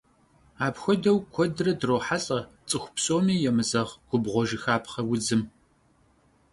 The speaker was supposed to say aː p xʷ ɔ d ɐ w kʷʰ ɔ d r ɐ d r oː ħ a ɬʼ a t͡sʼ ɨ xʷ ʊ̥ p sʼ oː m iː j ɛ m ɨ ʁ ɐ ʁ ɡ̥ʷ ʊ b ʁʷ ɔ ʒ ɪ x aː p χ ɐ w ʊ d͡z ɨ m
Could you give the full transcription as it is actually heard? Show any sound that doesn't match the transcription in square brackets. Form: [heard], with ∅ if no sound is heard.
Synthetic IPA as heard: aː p xʷ ɔ d ɐ w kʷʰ ɔ d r ɐ d r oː ħ a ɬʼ [ɐ] t͡sʼ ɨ xʷ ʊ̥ p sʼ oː m iː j ɛ m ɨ [z] ɐ ʁ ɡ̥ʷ ʊ b ʁʷ ɔ ʒ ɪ x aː p χ ɐ w ʊ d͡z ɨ m